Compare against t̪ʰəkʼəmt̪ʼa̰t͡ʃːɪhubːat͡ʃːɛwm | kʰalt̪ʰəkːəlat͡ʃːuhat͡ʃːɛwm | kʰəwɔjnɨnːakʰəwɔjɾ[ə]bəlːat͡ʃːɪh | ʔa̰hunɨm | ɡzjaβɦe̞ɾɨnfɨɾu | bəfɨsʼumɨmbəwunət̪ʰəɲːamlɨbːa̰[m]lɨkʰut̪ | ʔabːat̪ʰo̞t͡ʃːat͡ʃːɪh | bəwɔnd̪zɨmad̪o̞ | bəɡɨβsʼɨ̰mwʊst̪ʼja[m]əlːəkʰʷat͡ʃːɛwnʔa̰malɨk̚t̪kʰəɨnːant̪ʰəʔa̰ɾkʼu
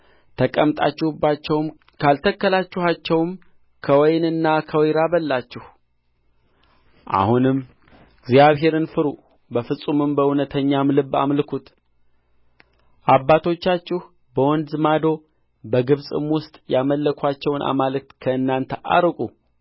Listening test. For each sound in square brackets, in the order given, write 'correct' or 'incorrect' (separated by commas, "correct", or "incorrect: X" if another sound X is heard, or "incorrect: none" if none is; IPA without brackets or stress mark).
incorrect: a, correct, correct